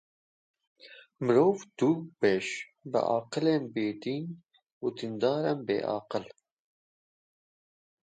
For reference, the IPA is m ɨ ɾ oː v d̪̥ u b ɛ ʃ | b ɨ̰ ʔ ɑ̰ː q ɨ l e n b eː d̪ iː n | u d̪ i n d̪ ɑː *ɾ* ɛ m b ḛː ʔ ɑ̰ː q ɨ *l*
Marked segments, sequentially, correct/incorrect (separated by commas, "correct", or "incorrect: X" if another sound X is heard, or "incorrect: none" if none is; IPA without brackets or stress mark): correct, correct